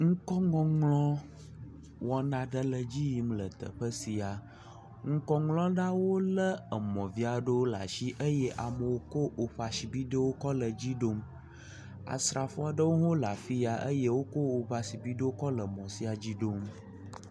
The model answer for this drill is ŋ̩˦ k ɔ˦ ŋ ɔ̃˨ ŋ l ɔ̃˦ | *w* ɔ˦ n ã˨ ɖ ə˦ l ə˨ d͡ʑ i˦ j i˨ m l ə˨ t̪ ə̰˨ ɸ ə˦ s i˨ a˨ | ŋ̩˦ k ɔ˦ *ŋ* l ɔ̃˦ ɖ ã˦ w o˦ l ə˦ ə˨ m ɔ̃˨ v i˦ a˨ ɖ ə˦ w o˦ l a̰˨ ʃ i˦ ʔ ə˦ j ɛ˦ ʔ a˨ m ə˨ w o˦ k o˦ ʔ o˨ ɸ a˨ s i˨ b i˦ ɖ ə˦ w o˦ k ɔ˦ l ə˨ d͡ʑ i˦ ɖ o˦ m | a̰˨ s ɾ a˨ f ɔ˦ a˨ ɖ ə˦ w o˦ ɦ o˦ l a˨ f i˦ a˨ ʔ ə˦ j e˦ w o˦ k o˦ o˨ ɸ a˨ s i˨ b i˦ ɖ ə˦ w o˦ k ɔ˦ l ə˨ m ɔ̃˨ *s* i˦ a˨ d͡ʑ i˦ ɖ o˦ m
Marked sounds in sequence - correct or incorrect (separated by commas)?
correct, correct, correct